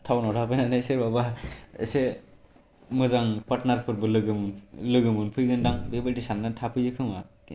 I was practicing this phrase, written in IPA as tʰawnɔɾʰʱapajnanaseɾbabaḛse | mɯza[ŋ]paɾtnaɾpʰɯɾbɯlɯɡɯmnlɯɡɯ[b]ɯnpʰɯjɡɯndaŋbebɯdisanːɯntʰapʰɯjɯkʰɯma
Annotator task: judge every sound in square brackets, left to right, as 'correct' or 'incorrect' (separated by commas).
correct, incorrect